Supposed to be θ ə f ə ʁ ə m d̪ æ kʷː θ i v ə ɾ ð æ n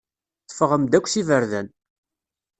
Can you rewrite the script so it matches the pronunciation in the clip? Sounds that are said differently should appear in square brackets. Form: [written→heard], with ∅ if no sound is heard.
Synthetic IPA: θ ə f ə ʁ ə m d̪ æ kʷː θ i v ə ɾ ð æ n